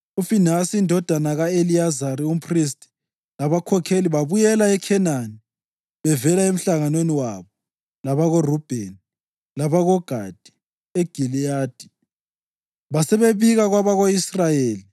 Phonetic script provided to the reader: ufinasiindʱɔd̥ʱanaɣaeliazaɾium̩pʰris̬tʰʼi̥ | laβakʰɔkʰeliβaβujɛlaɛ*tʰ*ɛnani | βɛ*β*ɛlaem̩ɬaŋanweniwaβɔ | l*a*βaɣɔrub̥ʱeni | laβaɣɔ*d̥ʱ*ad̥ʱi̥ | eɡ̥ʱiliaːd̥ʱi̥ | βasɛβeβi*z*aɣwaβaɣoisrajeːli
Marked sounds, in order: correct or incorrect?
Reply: incorrect: kʰ, incorrect: v, correct, incorrect: ɡ̥ʱ, incorrect: ɣ

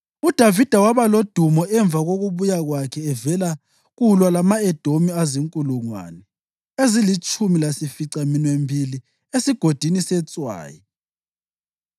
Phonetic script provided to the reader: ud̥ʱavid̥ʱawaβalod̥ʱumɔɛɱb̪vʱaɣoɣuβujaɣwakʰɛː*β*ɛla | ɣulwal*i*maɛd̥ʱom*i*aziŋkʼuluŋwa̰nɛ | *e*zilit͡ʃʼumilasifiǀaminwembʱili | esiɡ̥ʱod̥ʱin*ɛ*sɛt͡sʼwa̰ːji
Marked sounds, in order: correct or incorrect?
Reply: incorrect: v, incorrect: a, correct, correct, incorrect: i

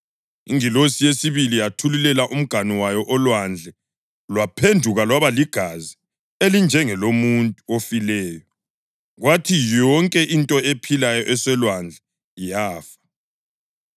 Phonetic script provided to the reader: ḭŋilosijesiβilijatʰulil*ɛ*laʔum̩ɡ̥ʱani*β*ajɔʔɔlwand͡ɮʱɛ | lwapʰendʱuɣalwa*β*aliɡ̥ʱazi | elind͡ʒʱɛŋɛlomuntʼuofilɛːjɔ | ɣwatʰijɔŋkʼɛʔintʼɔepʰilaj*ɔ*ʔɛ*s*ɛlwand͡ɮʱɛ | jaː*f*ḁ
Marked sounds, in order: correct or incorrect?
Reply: correct, incorrect: w, correct, correct, correct, correct

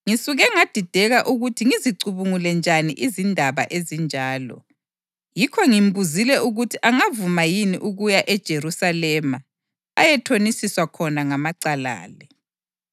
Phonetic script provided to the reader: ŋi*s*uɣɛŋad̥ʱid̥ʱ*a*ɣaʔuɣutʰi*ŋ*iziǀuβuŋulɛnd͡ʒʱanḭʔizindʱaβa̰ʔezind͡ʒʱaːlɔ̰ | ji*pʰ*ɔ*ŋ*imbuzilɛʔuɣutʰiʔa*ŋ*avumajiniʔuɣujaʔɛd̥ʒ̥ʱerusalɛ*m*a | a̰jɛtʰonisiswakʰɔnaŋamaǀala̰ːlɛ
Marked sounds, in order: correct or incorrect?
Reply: correct, incorrect: ɛ, correct, incorrect: kʰ, correct, correct, correct

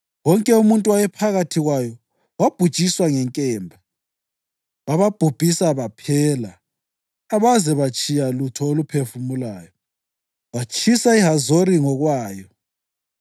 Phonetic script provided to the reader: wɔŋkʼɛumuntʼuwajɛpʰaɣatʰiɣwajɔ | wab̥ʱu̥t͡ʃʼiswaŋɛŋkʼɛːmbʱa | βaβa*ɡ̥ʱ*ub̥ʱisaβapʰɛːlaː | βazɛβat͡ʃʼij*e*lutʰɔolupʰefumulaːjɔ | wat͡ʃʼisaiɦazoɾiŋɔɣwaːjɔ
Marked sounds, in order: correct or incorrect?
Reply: incorrect: b̥ʱ, incorrect: a

